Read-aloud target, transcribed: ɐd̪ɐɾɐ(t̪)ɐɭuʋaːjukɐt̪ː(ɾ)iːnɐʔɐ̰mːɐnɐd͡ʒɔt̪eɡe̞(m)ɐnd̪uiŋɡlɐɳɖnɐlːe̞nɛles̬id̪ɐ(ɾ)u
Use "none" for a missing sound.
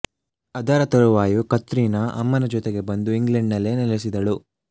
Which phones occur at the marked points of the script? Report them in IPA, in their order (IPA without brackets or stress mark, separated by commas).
t̪, ɾ, b, ɭ